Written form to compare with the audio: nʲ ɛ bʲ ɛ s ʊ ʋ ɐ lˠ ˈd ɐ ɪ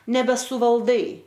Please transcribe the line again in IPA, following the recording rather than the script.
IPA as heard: nʲ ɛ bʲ ɛ s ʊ ʋ ɐ lˠ ˈd ɐ ɪ